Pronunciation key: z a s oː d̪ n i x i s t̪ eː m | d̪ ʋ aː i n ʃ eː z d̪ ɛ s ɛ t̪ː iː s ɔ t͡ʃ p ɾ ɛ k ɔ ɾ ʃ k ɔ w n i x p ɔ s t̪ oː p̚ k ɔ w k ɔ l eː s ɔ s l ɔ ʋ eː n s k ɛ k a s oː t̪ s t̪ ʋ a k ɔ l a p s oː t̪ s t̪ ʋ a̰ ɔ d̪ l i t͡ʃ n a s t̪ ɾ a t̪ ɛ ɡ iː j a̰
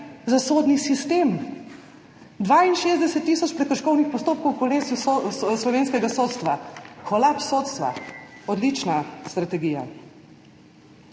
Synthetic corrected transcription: z a s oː d̪ n i s i s t̪ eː m | d̪ ʋ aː i n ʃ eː z d̪ ɛ s ɛ t̪ː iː s ɔ t͡ʃ p ɾ ɛ k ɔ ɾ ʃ k ɔ w n i x p ɔ s t̪ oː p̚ k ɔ w k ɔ l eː s u s l ɔ ʋ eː n s k ɛ ɡ a s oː t̪ s t̪ ʋ a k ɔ l a p s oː t̪ s t̪ ʋ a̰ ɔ d̪ l i t͡ʃ n a s t̪ ɾ a t̪ ɛ ɡ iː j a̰

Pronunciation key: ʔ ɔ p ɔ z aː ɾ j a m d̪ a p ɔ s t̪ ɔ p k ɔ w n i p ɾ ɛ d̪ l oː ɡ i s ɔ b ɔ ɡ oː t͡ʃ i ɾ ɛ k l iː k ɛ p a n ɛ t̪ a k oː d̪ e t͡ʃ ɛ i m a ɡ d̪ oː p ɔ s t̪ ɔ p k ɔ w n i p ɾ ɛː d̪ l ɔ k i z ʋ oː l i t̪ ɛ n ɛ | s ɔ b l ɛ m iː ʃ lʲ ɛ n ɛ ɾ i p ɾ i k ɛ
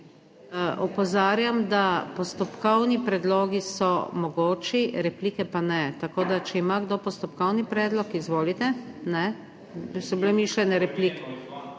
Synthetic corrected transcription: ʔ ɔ p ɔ z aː ɾ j a m d̪ a p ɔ s t̪ ɔ p k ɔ w n i p ɾ ɛ d̪ l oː ɡ i s ɔ m ɔ ɡ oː t͡ʃ i ɾ ɛ p l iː k ɛ p a n ɛ t̪ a k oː d̪ a t͡ʃ ɛ i m a ɡ d̪ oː p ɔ s t̪ ɔ p k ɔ w n i p ɾ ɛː d̪ l ɔ k i z ʋ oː l i t̪ ɛ n ɛ | s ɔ b l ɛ m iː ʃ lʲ ɛ n ɛ ɾ ɛ p l i k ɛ

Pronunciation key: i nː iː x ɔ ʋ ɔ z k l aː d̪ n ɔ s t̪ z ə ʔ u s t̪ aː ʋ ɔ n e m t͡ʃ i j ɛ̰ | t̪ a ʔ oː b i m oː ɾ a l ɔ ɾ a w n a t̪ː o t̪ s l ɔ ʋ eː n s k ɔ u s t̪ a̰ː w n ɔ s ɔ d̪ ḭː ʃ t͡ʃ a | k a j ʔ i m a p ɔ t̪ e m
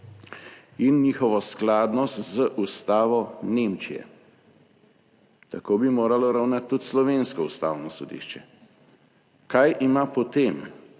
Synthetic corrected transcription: i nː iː x ɔ ʋ ɔ s k l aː d̪ n ɔ s t̪ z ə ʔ u s t̪ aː ʋ ɔ n e m t͡ʃ i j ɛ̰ | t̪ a k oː b i m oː ɾ a l ɔ ɾ a w n a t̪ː u t̪ s l ɔ ʋ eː n s k ɔ u s t̪ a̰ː w n ɔ s ɔ d̪ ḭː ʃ t͡ʃ ɛ | k a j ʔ i m a p ɔ t̪ e m

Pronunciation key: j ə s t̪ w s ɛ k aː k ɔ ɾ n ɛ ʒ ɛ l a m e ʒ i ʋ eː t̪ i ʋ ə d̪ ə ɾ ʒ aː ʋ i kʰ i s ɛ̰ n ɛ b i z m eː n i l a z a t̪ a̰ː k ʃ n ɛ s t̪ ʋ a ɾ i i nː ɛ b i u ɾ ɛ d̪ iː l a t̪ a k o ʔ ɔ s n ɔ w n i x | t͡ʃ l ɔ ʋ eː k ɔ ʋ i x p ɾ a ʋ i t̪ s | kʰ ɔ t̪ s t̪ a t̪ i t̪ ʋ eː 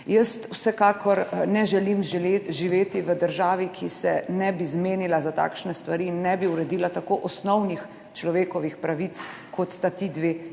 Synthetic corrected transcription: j ə s t̪ w s ɛ k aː k ɔ ɾ n ɛ ʒ ɛ l i m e ʒ i ʋ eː t̪ i ʋ ə d̪ ə ɾ ʒ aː ʋ i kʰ i s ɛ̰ n ɛ b i z m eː n i l a z a t̪ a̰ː k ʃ n ɛ s t̪ ʋ a ɾ i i nː ɛ b i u ɾ ɛ d̪ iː l a t̪ a k o ʔ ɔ s n ɔ w n i x | t͡ʃ l ɔ ʋ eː k ɔ ʋ i x p ɾ a ʋ i t̪ s | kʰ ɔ t̪ s t̪ a t̪ i d̪ ʋ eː

